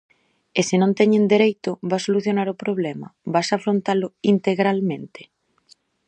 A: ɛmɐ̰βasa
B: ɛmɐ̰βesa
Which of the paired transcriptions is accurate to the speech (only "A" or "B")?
A